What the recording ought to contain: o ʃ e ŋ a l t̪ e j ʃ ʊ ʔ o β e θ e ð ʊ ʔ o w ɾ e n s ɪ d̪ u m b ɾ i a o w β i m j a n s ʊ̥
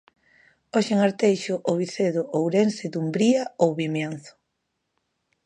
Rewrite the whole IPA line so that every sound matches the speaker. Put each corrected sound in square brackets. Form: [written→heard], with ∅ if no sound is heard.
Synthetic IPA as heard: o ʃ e ŋ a [l→ɾ] t̪ e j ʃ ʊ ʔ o β [e→i] θ e ð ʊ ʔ o w ɾ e n s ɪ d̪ u m b ɾ i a o w β i m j a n [s→θ] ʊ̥